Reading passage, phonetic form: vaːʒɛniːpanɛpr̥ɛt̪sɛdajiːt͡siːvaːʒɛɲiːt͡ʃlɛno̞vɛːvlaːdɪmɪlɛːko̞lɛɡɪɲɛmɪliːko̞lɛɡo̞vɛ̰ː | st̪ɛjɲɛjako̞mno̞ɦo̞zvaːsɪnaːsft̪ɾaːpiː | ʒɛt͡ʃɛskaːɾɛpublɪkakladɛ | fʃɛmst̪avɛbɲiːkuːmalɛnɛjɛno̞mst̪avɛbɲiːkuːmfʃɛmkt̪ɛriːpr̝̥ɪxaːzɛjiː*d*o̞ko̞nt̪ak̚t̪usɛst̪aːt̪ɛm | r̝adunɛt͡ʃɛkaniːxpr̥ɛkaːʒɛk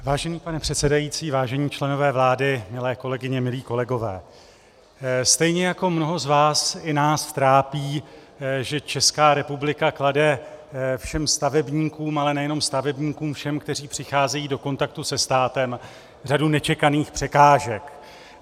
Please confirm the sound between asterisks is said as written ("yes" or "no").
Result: yes